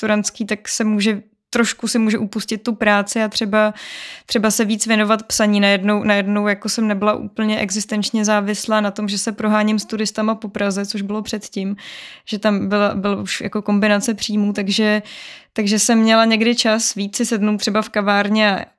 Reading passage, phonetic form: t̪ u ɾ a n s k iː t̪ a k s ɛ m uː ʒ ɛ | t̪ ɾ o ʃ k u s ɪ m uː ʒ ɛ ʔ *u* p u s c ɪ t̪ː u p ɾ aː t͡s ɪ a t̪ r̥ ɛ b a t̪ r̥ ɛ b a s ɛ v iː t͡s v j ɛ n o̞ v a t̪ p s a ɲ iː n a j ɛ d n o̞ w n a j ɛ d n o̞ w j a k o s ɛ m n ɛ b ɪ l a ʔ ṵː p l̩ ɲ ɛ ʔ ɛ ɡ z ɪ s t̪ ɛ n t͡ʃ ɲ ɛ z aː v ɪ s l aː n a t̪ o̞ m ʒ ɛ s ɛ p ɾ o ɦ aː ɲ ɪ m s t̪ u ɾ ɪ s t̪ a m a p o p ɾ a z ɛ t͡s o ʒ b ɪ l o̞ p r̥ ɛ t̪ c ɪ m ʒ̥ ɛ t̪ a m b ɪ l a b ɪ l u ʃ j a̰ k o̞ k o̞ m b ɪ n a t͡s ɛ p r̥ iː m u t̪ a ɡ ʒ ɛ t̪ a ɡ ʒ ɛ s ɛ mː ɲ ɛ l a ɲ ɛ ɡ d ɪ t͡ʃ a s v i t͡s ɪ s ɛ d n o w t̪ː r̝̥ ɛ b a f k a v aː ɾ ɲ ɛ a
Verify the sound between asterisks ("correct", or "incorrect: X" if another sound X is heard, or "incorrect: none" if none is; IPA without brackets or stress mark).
correct